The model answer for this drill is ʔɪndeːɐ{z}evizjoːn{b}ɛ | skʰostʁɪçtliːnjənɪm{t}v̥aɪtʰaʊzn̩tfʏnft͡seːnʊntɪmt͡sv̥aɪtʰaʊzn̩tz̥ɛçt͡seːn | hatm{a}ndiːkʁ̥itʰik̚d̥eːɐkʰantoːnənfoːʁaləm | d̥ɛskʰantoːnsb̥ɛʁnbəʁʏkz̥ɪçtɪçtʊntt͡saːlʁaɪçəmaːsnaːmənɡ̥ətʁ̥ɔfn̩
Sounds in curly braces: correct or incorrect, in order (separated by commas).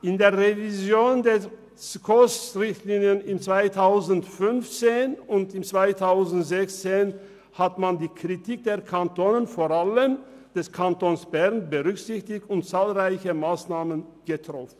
incorrect, incorrect, incorrect, correct